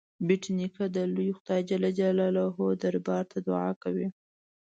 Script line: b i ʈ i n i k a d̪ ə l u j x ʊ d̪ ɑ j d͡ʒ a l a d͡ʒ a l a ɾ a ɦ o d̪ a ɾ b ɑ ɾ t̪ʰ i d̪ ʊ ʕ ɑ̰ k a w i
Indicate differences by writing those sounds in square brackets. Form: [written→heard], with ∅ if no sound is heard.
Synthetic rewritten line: b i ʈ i n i k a d̪ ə l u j x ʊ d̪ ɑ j d͡ʒ a l a d͡ʒ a l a [ɾ→l] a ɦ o d̪ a ɾ b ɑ ɾ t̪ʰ [i→a] d̪ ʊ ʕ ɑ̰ k a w i